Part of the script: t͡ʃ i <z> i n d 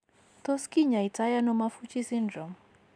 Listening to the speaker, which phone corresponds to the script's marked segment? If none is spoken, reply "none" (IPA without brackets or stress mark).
s